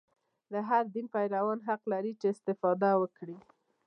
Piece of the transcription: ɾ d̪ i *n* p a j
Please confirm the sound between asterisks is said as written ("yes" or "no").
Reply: yes